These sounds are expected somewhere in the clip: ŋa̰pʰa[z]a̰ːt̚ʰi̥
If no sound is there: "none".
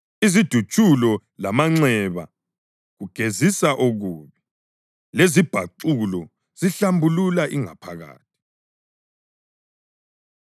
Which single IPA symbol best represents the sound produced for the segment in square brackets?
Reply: ɣ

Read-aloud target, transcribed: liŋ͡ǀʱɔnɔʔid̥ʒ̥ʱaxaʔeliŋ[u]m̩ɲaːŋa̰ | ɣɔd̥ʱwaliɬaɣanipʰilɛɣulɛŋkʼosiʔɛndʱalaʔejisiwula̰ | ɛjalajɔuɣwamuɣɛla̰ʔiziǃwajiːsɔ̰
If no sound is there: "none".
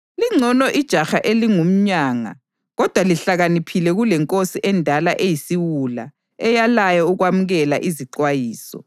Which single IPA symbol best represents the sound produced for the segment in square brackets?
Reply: u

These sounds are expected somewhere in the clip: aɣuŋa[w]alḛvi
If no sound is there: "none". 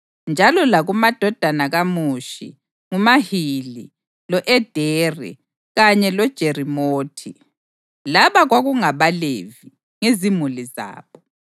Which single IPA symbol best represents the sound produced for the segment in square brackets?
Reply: β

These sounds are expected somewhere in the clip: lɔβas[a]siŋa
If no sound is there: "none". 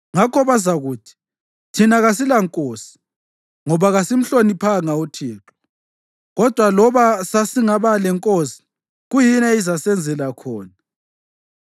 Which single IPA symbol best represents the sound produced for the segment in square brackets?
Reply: a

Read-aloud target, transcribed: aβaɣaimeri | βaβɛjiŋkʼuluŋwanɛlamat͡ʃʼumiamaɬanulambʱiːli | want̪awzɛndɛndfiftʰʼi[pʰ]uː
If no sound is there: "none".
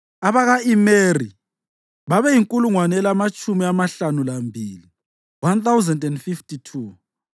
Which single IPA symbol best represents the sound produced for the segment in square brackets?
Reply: tʰ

